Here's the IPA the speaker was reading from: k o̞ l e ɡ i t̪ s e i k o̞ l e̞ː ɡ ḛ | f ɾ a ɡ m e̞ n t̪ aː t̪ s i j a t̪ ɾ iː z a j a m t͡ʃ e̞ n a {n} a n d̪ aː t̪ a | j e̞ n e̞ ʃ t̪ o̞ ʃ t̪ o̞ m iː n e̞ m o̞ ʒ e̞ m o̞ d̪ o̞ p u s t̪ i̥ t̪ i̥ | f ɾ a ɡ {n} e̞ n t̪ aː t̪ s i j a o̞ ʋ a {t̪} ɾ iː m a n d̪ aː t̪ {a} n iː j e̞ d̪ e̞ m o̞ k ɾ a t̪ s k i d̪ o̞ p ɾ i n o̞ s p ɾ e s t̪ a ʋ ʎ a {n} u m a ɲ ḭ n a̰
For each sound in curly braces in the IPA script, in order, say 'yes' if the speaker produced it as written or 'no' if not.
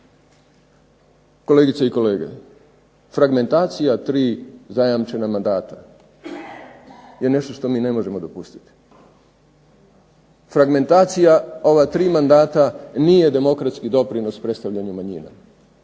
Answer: no, no, yes, yes, no

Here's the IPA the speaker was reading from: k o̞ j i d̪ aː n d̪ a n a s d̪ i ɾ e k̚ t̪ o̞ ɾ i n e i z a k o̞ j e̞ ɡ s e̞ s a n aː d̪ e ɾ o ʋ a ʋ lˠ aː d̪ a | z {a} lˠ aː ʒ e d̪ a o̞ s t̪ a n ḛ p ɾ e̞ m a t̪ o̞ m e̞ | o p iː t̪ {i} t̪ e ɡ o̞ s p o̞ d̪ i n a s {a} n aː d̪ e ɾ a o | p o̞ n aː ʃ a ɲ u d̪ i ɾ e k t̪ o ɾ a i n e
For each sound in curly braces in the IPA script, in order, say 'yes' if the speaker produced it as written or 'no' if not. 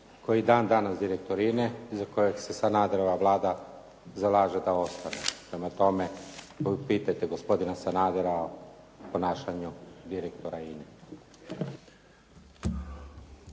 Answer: yes, no, yes

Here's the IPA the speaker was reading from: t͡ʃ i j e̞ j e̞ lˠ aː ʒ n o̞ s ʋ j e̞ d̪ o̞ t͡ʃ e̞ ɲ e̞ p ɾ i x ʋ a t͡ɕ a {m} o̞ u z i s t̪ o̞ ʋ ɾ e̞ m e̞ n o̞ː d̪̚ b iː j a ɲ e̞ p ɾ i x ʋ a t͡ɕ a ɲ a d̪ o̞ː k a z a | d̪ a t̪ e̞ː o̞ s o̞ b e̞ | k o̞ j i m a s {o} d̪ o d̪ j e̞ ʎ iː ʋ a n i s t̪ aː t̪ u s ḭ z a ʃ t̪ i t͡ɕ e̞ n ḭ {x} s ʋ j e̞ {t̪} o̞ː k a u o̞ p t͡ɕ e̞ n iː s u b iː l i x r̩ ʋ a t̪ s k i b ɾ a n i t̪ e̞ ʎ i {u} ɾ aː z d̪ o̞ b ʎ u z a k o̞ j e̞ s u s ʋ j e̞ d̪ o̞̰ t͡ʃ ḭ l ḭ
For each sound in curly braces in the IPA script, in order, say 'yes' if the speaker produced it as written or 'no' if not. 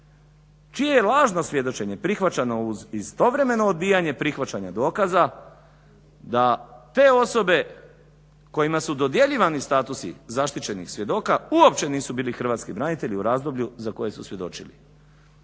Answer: no, no, yes, no, yes

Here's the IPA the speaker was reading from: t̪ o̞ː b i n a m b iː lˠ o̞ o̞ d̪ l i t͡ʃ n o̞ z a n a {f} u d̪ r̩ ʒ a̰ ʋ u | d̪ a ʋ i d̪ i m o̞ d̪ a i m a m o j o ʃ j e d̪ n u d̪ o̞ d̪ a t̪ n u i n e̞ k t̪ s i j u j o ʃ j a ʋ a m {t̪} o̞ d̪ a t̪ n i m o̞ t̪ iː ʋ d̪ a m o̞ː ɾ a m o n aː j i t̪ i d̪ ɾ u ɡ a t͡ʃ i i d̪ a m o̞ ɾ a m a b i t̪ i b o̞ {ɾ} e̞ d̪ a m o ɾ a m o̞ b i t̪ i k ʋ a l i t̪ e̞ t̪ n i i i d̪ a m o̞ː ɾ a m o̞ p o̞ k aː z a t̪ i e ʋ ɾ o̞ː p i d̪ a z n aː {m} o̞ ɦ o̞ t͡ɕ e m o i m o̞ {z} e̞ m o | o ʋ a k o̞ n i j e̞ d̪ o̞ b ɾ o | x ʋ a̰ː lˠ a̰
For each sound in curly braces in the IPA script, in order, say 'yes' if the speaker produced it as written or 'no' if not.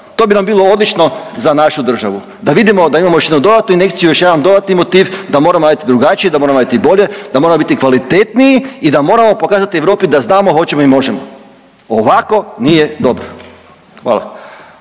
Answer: no, no, no, yes, no

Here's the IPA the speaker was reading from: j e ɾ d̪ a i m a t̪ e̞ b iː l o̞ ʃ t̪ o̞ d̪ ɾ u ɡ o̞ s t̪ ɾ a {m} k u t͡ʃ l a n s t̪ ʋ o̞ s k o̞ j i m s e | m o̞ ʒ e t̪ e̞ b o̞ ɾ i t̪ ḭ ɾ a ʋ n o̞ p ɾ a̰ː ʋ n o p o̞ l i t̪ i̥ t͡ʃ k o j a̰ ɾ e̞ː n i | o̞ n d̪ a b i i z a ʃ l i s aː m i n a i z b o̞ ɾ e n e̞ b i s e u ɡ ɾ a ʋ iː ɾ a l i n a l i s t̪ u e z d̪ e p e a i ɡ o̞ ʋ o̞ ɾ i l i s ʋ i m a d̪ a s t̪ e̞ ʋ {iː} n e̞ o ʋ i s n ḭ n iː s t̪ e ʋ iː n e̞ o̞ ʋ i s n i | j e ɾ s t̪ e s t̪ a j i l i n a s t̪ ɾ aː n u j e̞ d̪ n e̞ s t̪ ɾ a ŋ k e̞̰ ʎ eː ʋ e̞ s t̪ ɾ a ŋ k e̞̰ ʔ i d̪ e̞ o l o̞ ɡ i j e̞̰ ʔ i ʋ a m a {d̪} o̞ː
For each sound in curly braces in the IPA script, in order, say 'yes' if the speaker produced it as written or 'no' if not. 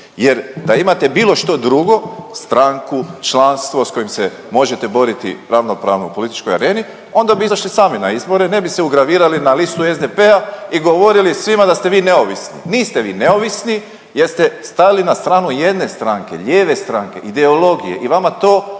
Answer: no, yes, no

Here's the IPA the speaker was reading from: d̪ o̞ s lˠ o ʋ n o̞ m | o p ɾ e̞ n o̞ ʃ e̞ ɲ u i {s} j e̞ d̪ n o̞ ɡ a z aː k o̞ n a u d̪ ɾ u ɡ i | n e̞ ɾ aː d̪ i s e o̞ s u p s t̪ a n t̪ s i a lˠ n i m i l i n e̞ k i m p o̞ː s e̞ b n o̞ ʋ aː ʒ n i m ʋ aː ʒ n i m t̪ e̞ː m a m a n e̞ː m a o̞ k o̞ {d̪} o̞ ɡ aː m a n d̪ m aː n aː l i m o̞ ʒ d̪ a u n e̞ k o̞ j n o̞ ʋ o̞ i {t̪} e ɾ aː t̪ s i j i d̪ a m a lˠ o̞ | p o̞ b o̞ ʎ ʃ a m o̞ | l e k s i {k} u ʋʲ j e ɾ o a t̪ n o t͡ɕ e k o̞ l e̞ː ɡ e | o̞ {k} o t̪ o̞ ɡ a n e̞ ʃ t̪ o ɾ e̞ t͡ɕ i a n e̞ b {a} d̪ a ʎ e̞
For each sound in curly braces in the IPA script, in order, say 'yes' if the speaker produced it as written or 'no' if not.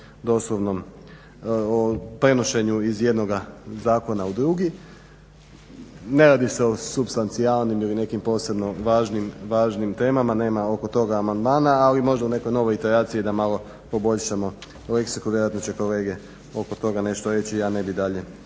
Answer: no, no, yes, yes, yes, no

